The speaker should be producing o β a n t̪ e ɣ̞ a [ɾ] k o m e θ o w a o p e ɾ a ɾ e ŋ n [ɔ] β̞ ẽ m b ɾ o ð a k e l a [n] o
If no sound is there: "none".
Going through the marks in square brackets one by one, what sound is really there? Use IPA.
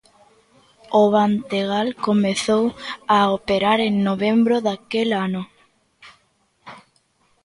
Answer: l, o, n

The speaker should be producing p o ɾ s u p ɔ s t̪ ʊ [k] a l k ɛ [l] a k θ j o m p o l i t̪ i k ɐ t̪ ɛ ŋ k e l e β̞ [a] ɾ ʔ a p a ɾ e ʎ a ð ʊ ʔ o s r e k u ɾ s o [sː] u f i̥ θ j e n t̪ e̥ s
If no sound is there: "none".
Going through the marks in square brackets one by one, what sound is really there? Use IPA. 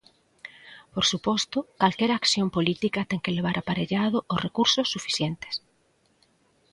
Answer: k, ɾ, a, sː

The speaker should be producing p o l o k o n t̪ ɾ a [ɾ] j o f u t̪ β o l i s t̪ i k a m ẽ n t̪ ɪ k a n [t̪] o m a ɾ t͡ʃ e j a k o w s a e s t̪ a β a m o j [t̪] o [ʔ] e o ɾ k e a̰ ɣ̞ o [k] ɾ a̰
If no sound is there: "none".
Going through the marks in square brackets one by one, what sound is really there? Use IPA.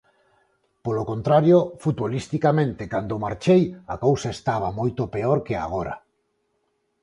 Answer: ɾ, d̪, t̪, p, none

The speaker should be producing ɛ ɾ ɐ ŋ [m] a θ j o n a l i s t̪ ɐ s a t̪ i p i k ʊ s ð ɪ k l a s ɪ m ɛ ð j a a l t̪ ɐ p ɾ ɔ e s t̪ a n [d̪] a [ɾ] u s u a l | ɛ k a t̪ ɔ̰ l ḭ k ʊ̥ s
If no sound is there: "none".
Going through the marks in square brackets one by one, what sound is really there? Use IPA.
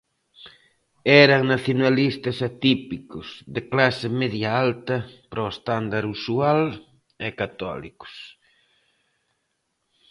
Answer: n, d̪, ɾ

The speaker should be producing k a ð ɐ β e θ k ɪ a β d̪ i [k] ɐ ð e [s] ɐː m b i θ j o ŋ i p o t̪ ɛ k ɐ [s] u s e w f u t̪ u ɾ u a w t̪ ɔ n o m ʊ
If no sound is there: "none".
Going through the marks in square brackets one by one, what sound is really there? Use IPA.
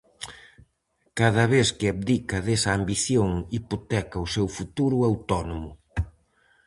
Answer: k, s, none

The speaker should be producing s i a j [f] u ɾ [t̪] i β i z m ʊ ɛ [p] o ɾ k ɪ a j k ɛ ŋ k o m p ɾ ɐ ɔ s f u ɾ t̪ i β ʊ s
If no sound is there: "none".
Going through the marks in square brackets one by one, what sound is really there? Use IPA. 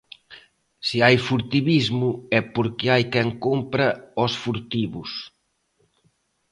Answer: f, t̪, p

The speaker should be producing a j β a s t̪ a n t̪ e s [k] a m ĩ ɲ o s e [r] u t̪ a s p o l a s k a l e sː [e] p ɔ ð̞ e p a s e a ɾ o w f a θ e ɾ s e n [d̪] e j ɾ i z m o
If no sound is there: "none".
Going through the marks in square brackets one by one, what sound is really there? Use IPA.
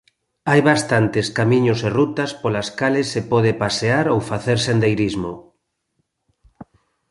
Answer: k, r, e, d̪

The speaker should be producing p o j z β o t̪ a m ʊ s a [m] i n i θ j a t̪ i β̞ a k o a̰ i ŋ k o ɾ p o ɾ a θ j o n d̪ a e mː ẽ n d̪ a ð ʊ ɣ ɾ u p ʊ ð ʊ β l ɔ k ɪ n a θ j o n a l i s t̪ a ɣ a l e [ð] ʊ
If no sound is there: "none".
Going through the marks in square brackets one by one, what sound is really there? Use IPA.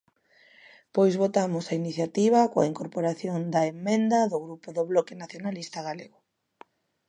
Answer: none, ɣ

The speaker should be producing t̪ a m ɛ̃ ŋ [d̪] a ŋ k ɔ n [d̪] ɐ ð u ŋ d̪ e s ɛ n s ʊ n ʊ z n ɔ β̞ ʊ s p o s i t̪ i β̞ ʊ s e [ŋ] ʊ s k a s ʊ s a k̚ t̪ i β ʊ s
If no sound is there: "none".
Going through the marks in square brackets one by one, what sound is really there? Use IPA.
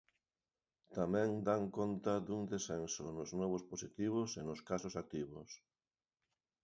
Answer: d̪, t̪, n

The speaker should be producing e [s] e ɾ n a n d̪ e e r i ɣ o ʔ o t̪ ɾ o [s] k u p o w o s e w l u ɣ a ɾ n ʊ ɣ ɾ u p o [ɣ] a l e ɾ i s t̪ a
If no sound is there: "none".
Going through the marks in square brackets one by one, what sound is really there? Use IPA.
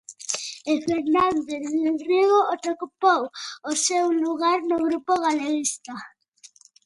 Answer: f, none, ɣ

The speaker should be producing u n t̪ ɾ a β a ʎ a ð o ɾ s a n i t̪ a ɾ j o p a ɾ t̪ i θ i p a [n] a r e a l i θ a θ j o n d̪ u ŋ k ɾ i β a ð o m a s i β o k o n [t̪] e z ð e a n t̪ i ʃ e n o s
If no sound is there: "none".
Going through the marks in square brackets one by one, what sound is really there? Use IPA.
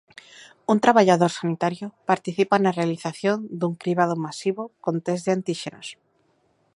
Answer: n, t̪

